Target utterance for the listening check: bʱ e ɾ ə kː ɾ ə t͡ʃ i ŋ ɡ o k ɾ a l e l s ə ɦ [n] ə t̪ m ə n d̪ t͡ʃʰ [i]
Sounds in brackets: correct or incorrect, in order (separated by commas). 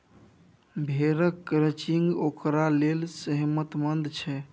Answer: incorrect, incorrect